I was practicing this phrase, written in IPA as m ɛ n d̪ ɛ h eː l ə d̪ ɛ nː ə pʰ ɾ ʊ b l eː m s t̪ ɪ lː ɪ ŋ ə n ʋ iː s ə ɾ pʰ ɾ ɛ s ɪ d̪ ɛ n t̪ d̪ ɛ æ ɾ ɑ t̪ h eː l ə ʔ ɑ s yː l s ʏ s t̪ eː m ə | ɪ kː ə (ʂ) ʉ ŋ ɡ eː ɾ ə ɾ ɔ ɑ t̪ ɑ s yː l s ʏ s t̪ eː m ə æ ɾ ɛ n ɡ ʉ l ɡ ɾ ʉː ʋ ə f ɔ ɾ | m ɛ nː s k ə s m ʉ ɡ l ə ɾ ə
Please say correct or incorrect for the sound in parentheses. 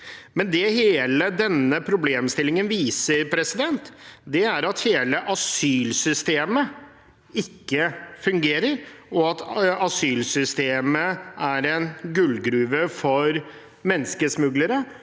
incorrect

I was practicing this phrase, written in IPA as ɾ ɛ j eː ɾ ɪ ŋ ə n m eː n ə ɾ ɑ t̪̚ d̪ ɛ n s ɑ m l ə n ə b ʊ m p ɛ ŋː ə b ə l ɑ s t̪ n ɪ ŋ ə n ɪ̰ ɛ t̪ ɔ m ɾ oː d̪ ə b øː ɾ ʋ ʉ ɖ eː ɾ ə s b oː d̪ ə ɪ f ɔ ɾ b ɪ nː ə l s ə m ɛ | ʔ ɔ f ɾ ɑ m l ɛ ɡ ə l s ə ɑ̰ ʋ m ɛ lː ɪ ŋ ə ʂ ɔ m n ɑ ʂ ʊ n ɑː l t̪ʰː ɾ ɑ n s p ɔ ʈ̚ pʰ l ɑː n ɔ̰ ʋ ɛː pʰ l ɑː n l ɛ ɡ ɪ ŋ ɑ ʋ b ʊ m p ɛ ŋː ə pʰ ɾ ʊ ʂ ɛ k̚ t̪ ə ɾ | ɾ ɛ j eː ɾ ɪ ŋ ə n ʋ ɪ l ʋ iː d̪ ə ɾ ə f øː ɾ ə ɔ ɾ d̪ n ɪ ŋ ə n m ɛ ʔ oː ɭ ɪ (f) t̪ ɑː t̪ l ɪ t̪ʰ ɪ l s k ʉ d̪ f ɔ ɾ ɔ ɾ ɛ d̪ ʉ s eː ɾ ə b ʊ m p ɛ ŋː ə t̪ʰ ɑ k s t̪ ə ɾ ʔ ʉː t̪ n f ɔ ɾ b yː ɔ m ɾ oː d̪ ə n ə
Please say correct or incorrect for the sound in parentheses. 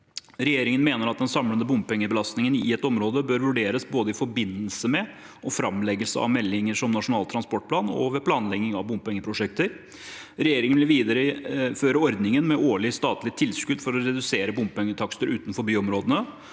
incorrect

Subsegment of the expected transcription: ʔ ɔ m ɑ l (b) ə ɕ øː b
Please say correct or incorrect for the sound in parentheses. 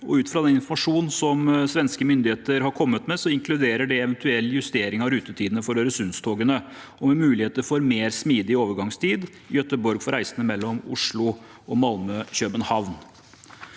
incorrect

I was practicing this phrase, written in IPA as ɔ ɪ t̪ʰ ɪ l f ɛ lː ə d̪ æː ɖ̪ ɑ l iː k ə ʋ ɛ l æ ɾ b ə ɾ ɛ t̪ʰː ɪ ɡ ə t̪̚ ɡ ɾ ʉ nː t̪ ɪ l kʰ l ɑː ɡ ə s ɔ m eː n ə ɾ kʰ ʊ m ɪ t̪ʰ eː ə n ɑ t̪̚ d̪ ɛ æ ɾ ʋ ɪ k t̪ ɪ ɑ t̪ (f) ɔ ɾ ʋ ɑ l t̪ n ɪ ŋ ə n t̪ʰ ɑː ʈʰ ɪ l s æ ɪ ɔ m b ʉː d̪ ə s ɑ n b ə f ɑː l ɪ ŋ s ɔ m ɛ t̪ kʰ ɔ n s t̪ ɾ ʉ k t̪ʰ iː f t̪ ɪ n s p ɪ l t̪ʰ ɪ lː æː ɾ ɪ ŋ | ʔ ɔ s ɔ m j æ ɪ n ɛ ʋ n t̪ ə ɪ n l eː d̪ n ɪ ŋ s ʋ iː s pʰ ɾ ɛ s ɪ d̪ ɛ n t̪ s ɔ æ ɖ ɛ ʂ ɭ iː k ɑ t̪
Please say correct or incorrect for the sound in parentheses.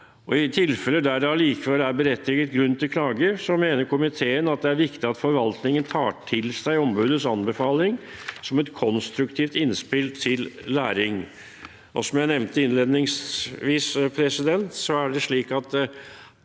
correct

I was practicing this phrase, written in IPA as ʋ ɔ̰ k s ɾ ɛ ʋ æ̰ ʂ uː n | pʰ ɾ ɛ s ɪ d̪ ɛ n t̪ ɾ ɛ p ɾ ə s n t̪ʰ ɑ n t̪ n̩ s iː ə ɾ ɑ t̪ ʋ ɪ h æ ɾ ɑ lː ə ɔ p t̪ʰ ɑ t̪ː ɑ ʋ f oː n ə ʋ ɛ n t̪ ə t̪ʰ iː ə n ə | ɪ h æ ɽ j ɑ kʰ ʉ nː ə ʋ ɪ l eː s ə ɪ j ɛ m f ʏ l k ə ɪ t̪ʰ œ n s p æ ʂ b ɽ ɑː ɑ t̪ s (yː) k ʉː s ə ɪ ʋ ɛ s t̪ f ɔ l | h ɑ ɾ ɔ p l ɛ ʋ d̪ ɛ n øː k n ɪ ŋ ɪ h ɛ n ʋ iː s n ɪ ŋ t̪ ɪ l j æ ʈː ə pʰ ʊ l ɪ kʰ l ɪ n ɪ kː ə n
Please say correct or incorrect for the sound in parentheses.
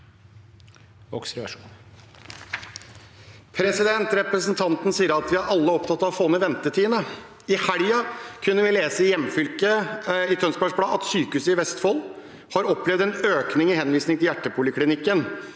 correct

